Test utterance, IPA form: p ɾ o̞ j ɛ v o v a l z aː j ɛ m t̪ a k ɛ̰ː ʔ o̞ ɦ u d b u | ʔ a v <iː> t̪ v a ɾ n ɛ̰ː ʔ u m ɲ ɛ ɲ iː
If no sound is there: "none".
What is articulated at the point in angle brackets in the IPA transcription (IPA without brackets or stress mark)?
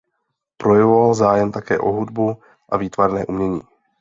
iː